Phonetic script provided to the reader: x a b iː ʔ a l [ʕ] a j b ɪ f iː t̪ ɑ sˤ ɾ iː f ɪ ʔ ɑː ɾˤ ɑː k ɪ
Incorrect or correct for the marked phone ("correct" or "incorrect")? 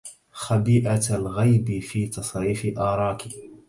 incorrect